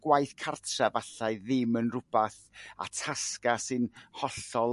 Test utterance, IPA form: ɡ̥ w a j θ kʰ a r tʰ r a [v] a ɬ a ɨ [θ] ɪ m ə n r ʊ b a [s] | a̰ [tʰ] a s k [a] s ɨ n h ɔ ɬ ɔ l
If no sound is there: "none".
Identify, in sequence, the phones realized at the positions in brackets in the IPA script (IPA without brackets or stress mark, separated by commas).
v, ð, θ, tʰ, a